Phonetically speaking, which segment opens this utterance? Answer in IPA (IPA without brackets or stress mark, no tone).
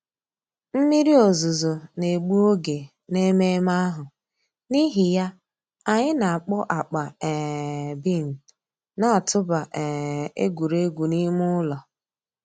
m̩